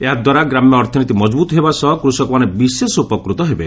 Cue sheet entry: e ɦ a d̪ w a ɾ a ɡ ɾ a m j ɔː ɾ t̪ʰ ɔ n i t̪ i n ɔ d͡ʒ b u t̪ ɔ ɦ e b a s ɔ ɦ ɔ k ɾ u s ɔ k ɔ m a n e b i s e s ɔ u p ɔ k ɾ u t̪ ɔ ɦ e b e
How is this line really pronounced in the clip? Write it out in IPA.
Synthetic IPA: e ɦ a d̪ w a ɾ a ɡ ɾ a m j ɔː ɾ t̪ʰ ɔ n i t̪ i m ɔ d͡ʒ b u t̪ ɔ ɦ e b a s ɔ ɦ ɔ k ɾ u s ɔ k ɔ m a n e b i s e s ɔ u p ɔ k ɾ u t̪ ɔ ɦ e b e